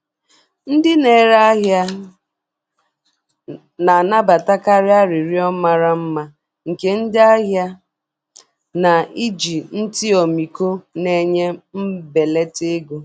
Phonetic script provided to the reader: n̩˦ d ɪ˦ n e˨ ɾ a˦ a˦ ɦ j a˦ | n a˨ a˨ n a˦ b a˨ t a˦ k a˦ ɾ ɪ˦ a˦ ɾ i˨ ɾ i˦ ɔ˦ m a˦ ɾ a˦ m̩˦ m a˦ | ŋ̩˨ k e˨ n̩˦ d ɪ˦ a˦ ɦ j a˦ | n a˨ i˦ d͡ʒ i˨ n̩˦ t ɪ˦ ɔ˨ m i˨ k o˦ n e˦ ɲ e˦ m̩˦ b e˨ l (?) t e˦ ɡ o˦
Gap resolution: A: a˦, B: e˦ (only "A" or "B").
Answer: B